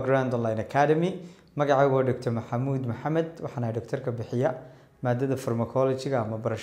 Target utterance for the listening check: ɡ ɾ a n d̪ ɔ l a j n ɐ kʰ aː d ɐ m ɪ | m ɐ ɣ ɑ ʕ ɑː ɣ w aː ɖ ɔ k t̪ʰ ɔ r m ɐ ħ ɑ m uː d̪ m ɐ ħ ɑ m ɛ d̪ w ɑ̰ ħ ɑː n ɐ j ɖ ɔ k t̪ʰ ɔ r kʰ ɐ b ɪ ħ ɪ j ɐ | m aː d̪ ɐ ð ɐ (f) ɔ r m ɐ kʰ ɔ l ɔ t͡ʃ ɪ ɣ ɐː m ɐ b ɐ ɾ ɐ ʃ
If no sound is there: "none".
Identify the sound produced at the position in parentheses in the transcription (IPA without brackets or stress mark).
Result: f